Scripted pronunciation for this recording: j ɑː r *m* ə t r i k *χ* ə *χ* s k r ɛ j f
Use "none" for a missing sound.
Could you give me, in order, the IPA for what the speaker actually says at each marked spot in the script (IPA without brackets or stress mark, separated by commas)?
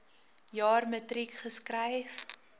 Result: m, χ, none